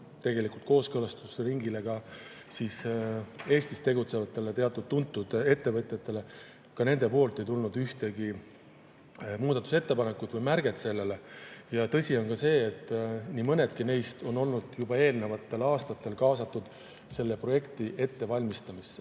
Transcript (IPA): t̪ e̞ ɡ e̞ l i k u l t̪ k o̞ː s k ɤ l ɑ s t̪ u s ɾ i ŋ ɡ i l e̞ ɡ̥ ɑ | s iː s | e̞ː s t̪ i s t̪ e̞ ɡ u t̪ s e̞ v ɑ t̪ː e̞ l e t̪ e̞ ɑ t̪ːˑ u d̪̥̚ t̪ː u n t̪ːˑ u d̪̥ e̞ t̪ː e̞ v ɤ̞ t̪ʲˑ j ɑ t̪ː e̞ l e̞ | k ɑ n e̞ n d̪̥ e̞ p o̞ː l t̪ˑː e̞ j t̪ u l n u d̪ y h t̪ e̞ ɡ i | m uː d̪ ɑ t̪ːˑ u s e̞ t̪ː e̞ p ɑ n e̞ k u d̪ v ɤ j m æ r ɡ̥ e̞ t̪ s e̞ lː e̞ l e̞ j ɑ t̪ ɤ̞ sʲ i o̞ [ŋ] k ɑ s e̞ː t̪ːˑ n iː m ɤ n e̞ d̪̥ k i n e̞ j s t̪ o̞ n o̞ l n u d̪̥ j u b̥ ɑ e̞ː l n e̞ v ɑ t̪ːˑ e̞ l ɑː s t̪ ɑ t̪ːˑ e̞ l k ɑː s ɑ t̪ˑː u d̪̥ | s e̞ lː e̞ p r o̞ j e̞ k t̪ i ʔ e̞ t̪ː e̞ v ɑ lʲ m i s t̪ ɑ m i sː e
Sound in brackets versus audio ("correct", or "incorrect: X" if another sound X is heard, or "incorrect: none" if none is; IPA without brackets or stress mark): incorrect: n